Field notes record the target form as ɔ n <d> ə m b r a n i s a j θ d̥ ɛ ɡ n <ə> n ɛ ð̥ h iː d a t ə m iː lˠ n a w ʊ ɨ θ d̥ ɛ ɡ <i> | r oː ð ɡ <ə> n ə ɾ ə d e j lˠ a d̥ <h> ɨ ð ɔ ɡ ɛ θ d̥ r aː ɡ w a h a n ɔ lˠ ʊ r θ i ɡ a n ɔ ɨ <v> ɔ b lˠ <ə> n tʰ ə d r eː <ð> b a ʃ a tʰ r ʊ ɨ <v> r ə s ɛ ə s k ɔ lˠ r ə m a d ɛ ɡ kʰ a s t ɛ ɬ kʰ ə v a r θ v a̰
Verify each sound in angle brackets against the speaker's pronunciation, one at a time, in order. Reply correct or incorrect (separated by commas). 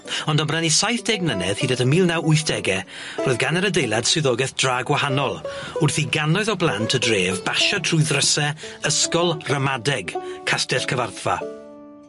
correct, correct, incorrect, incorrect, incorrect, incorrect, incorrect, incorrect, incorrect